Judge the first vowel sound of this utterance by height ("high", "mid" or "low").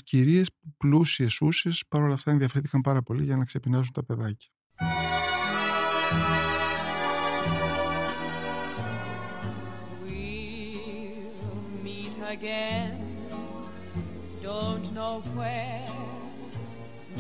high